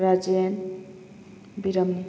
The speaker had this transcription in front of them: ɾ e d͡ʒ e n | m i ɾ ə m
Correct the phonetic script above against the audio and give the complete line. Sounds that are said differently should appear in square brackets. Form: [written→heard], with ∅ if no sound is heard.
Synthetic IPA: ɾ [e→a] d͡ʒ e n | [m→b] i ɾ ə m

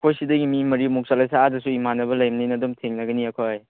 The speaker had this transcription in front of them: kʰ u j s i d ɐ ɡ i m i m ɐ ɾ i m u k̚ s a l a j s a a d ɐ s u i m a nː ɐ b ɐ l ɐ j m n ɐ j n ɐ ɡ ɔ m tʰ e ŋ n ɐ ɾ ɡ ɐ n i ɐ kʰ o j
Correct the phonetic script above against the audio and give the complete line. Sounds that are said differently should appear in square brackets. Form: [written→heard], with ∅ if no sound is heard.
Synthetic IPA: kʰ [u→o] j s i d ɐ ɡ i m i m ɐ ɾ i m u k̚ s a l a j s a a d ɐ s u i m a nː ɐ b ɐ l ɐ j m n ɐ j n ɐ [ɡ→d] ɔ m tʰ e ŋ n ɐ [ɾ→∅] ɡ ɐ n i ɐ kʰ o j

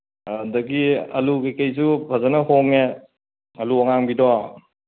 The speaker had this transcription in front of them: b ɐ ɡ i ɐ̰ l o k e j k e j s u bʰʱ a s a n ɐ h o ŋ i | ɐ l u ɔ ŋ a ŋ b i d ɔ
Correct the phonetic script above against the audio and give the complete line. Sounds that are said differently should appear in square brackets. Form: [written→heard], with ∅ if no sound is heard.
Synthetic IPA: [b→d] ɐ ɡ i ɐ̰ l [o→u] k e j k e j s u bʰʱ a [s→z] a n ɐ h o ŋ [i→e] | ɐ l u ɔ ŋ a ŋ b i d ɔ

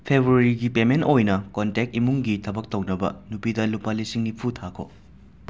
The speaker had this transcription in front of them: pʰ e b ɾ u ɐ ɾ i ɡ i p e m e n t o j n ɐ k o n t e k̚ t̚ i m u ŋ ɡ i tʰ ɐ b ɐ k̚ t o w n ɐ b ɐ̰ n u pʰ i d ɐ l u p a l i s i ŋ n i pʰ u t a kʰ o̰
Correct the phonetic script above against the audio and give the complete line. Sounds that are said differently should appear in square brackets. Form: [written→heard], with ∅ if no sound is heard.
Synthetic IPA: pʰ e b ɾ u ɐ ɾ i ɡ i p e m e n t o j n ɐ k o n t e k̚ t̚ i m u ŋ ɡ i tʰ ɐ b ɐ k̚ t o w n ɐ b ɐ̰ n u [pʰ→p] i d ɐ l u p a l i s i ŋ n i pʰ u [t→tʰ] a kʰ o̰

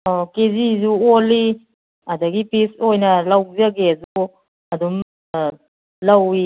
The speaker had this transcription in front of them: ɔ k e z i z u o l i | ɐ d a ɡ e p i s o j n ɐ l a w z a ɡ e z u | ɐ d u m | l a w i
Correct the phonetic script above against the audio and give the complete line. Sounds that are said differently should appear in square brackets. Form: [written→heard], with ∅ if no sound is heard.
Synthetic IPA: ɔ k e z i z u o l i | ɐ d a ɡ [e→i] p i s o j n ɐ l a w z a ɡ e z u | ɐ d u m | l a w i

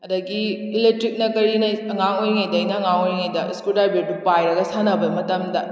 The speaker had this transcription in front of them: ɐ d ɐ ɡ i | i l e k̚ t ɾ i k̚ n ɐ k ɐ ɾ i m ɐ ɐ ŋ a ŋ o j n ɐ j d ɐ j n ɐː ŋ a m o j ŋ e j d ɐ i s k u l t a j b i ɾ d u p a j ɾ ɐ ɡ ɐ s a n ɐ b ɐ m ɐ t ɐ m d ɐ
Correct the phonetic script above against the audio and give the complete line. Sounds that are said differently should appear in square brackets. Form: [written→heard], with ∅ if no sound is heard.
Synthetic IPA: ɐ d ɐ ɡ i | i l e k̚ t ɾ i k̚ n ɐ k ɐ ɾ i [m→n] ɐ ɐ ŋ a ŋ o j [n→ŋ] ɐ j d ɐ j n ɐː ŋ a [m→ŋ] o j ŋ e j d ɐ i s k u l [t→d] a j b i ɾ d u p a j ɾ ɐ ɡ ɐ s a n ɐ b ɐ m ɐ t ɐ m d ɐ

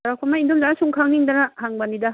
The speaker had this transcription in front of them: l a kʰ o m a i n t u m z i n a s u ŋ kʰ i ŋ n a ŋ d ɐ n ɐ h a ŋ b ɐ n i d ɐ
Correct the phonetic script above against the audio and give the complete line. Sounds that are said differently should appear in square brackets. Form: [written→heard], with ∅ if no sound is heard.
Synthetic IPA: [l→ɾ] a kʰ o m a i n [t→d] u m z [i→a] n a s u ŋ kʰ [i→a] ŋ n [a→i] ŋ d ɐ n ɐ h a ŋ b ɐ n i d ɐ

